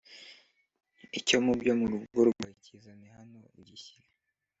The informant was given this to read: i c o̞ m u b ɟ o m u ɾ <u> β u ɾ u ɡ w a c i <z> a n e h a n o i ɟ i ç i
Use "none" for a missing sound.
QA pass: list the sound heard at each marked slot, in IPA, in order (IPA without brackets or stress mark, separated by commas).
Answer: u, z